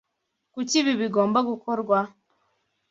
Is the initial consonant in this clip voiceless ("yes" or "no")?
yes